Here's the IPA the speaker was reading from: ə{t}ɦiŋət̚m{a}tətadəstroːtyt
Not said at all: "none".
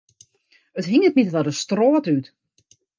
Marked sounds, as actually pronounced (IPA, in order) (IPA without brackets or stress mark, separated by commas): t, i